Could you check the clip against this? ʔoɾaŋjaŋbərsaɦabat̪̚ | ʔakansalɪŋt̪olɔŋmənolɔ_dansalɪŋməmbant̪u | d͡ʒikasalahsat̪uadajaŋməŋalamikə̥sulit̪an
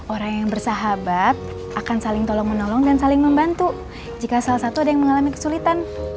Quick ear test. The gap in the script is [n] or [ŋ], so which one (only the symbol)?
ŋ